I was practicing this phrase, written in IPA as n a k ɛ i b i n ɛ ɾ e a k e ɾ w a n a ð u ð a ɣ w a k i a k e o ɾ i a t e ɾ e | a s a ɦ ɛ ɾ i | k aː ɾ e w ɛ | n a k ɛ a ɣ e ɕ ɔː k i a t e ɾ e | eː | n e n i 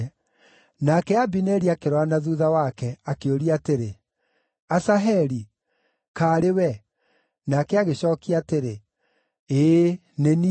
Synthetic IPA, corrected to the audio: n a k ɛ a b i n ɛ ɾ i a k e ɾ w a n a ð u ð a w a k ɛ a k e o ɾ i a t e ɾ e | a s a ɦ ɛ ɾ i | k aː ɾ e w ɛ | n a k ɛ a ɣ e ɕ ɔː k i a t e ɾ e | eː | n e n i

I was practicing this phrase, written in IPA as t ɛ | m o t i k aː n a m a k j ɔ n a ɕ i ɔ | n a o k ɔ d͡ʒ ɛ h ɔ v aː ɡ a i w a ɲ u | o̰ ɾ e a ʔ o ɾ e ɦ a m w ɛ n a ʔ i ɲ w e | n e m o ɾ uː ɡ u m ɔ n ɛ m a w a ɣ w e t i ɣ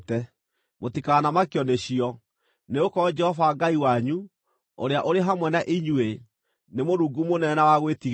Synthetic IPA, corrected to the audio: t ɛ | m o t i k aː n a m a k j ɔ n e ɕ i ɔ | n e o k ɔ d͡ʒ ɛ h ɔ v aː ɡ a i w a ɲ u | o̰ ɾ e a ʔ o ɾ e ɦ a m w ɛ n a ʔ i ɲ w e | n e m o ɾ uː ɡ u m o n ɛ n a w a ɣ w e t i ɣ

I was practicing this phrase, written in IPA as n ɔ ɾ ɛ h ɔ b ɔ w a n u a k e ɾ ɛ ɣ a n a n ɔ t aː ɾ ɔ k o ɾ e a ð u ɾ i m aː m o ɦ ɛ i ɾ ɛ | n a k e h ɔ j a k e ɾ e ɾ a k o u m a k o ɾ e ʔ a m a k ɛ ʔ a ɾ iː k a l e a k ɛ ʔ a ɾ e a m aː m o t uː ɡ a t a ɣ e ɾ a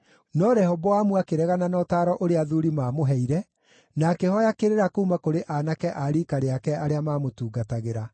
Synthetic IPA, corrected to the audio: n ɔ ɾ ɛ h ɔ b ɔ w a m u a k e ɾ ɛ ɣ a n a n ɔ t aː ɾ ɔ ʔ o ɾ e a ð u ɾ i m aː m o ɦ ɛ i ɾ ɛ | n a k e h ɔ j a k e ɾ e ɾ a k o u m a k o ɾ e ʔ a n a k ɛ ʔ a ɾ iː k a ɾ e a k ɛ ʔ a ɾ e a m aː m o t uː ɡ a t a ɣ e ɾ a

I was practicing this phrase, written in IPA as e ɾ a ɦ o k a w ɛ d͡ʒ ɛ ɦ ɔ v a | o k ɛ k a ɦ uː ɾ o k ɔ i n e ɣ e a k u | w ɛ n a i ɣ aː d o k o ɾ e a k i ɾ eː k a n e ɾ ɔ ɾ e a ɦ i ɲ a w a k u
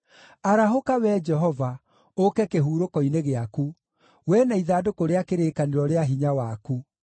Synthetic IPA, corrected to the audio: a ɾ a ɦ o k a w ɛ d͡ʒ ɛ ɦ ɔ v a | o k ɛ k e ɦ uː ɾ o k ɔ i n e ɣ e a k u | w ɛ n a i ð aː d o k o ɾ e a k e ɾ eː k a n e ɾ ɔ ɾ e a ɦ i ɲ a w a k u

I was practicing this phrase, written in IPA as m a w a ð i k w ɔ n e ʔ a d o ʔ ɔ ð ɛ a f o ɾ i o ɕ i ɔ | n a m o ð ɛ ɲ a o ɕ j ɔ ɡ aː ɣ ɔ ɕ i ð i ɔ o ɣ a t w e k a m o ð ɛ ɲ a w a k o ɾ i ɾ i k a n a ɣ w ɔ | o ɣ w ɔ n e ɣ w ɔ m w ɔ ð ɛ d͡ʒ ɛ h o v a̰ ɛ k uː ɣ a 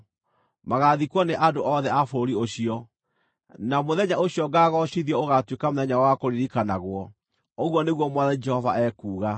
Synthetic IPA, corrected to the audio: m a ɣ a ð i k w ɔ n e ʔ a d o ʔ ɔ ð ɛ a f o ɾ i o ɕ i ɔ | n a m o ð ɛ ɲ a o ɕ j ɔ ɡ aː ɣ ɔ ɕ i ð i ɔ o ɣ a t w e k a m o ð ɛ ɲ a w a k o ɾ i ɾ i k a n a ɣ w ɔ | o ɣ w ɔ n e ɣ w ɔ m w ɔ ð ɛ d͡ʒ ɛ h ɔ v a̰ ɛ k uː ɣ a

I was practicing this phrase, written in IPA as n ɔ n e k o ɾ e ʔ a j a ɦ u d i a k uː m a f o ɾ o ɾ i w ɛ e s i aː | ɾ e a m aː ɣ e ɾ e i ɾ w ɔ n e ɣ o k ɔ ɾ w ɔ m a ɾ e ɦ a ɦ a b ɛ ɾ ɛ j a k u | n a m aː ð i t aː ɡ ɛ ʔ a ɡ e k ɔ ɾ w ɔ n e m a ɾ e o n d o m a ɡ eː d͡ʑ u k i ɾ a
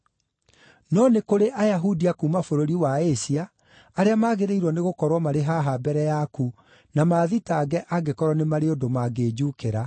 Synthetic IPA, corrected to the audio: n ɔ n e k o ɾ e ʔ a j a ɦ u d i a k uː m a f o ɾ o ɾ i w a e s i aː | ɾ e a m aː ɣ e ɾ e i ɾ w ɔ n e ɣ o k ɔ ɾ w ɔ m a ɾ e ɦ a ɦ a b ɛ ɾ ɛ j a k u | n a m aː ð i t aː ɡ ɛ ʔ a ɡ e k ɔ ɾ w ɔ n e m a ɾ e o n d o m a ɡ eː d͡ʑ u k e ɾ a

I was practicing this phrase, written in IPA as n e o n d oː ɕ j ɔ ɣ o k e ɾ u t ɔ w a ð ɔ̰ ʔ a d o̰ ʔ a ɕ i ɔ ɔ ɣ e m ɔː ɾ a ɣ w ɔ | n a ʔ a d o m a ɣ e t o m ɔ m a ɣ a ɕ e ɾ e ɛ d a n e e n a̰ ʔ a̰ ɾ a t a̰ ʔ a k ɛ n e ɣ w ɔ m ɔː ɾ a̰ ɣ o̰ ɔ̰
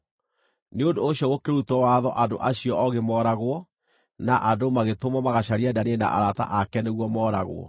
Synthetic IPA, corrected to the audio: n e o n d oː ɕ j ɔ ɣ o k e ɾ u t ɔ w a ð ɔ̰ ʔ a d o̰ ʔ a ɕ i ɔ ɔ ɣ e m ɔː ɾ a ɣ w ɔ | n a ʔ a d o m a ɣ e t o m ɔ m a ɣ a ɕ a ɾ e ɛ d a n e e n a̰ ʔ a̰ ɾ a t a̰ ʔ a k ɛ n e ɣ w ɔ m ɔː ɾ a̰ ɣ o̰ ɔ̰

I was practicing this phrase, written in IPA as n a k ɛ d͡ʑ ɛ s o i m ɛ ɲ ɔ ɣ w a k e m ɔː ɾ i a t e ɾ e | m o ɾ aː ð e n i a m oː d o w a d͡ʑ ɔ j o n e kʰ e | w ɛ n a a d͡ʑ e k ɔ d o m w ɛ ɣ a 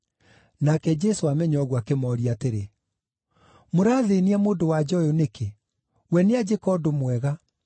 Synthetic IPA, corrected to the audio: n a k ɛ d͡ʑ ɛ s o a m ɛ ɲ ɔ ɣ w a k e m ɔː ɾ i a t e ɾ e | m o ɾ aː ð e n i a m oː d o w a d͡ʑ ɔ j o n e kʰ e | w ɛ n e a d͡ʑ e k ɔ d o m w ɛ ɣ a

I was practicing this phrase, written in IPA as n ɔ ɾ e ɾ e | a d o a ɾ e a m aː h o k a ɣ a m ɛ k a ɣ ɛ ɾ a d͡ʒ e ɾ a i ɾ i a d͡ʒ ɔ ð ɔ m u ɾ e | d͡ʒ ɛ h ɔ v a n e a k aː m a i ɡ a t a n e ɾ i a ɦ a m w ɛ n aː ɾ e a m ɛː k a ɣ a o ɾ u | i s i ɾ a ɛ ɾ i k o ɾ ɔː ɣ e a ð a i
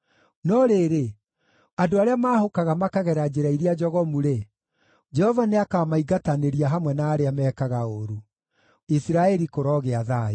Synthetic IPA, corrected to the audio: n ɔ ɾ e ɾ e | a d o a ɾ e a m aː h o k a ɣ a m a k a ɣ ɛ ɾ a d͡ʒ e ɾ a i ɾ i a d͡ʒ ɔ ɣ ɔ m u ɾ e | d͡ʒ ɛ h ɔ v a n e a k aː m a i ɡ a t a n e ɾ i a ɦ a m w ɛ n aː ɾ e a m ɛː k a ɣ a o ɾ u | i s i ɾ a ɛ ɾ i k o ɾ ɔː ɣ e a ð a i

